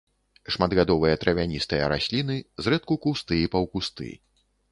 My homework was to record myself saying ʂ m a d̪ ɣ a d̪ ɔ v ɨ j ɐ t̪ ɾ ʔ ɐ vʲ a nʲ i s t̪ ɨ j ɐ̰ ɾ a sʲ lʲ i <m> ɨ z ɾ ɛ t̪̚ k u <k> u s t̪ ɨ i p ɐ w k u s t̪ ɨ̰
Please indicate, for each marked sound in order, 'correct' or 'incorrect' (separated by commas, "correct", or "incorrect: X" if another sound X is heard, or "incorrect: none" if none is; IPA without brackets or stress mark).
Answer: incorrect: n, correct